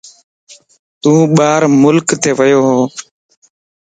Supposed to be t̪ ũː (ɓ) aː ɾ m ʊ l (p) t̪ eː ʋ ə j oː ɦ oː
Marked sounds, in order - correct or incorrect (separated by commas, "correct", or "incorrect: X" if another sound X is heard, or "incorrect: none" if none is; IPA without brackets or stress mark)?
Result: correct, incorrect: k